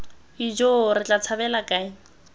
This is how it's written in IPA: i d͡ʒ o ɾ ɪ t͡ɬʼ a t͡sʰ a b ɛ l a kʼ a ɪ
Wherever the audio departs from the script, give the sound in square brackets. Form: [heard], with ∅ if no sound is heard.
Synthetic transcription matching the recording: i d͡ʒ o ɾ ɪ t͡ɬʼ a t͡sʰ a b ɛ l a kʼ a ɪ